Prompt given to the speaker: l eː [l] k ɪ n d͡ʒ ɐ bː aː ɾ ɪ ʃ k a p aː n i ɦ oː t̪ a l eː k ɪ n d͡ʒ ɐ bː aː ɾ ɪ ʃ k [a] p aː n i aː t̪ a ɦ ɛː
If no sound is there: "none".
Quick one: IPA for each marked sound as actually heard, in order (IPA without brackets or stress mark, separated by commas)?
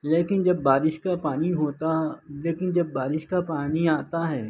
none, a